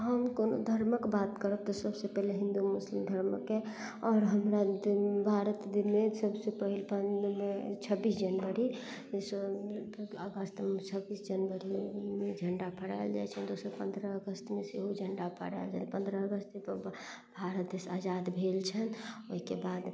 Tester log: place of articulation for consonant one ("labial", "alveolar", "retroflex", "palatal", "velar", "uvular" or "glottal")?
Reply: glottal